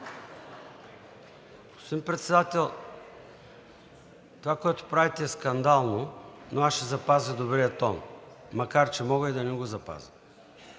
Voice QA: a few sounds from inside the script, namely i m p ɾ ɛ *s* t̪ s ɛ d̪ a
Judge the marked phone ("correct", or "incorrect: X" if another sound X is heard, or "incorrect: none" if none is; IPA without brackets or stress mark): incorrect: none